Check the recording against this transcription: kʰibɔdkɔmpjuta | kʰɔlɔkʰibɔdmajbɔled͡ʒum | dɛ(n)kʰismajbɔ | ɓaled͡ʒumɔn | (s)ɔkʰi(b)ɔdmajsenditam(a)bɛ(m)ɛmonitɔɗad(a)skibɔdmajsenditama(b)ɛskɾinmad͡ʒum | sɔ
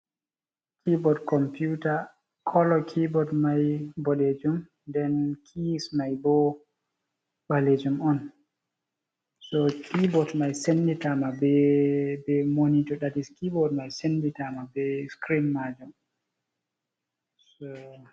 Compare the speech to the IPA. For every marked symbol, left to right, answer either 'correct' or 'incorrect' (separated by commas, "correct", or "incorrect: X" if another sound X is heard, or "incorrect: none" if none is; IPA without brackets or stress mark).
correct, correct, correct, correct, incorrect: b, incorrect: i, correct